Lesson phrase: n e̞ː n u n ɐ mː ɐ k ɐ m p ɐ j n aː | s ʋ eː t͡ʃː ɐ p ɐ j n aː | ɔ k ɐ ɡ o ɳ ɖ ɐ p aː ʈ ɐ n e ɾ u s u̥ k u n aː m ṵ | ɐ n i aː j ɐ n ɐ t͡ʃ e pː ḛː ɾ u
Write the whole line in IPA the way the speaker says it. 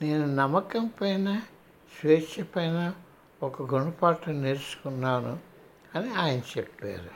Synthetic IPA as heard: n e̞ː n u n ɐ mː ɐ k ɐ m p ɐ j n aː | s ʋ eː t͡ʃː ɐ p ɐ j n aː | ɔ k ɐ ɡ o ɳ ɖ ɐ p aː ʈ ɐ n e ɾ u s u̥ k u nː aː n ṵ | ɐ n i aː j ɐ n ɐ t͡ʃ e pː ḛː ɾ u